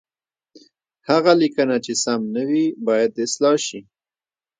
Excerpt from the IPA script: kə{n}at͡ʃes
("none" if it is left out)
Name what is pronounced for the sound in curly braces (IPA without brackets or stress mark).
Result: n